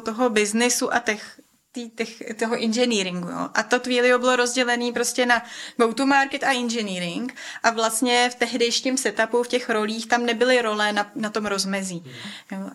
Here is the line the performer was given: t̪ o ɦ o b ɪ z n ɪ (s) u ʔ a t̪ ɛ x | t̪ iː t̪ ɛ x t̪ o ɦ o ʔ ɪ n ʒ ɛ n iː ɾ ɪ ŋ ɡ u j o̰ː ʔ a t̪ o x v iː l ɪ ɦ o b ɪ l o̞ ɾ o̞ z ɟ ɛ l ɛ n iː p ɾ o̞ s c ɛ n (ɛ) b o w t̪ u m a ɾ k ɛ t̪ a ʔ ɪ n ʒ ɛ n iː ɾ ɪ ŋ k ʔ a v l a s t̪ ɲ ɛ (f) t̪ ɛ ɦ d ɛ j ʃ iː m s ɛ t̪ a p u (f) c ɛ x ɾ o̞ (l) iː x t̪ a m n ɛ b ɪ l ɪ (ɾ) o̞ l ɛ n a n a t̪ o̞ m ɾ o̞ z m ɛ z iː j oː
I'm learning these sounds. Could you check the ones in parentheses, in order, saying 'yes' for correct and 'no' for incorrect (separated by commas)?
yes, no, yes, yes, yes, yes